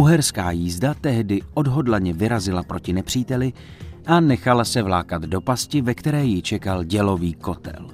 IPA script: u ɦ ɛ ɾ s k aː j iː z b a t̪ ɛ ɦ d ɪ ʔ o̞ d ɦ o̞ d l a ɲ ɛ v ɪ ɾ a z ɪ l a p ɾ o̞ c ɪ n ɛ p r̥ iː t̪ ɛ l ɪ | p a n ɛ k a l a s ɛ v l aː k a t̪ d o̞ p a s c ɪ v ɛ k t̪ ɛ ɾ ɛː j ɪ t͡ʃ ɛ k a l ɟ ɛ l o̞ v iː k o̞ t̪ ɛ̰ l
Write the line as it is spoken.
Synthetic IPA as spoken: u ɦ ɛ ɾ s k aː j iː z d a t̪ ɛ ɦ d ɪ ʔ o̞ d ɦ o̞ d l a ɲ ɛ v ɪ ɾ a z ɪ l a p ɾ o̞ c ɪ n ɛ p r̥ iː t̪ ɛ l ɪ | ʔ a n ɛ x a l a s ɛ v l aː k a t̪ d o̞ p a s c ɪ v ɛ k t̪ ɛ ɾ ɛː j ɪ t͡ʃ ɛ k a l ɟ ɛ l o̞ v iː k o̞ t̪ ɛ̰ l